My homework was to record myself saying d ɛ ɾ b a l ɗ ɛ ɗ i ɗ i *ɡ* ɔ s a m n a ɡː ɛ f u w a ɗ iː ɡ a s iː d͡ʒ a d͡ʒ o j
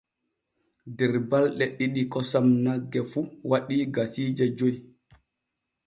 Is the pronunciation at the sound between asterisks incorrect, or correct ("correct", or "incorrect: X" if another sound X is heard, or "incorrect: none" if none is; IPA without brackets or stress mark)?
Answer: incorrect: k